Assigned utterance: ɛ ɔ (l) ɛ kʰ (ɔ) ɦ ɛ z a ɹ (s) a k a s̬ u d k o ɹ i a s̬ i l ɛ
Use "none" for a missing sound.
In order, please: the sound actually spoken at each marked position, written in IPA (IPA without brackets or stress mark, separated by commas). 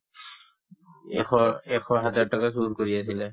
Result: none, ɔ, t